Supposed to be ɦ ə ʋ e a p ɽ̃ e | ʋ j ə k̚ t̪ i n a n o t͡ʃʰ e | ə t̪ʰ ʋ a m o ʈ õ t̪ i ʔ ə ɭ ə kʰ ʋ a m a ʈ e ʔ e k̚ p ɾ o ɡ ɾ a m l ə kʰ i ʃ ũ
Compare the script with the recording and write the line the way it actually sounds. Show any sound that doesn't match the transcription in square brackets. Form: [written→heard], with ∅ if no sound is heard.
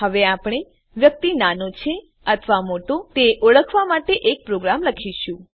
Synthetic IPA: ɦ ə ʋ e a p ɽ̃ e | ʋ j ə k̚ t̪ i n a n o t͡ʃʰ e | ə t̪ʰ ʋ a m o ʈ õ t̪ [i→e] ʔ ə ɭ ə kʰ ʋ a m a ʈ e ʔ e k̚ p ɾ o ɡ ɾ a m l ə kʰ i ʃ ũ